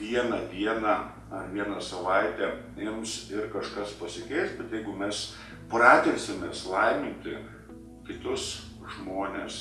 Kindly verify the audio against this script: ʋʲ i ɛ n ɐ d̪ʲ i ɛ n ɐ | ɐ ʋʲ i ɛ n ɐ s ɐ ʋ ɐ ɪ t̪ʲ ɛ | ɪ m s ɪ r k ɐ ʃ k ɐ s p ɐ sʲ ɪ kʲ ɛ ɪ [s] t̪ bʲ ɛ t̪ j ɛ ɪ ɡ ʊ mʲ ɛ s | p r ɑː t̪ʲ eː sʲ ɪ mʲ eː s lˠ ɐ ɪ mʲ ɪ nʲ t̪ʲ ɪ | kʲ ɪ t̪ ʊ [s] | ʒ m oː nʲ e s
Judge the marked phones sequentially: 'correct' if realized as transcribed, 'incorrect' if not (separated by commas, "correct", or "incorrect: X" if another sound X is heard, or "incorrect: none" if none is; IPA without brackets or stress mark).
correct, correct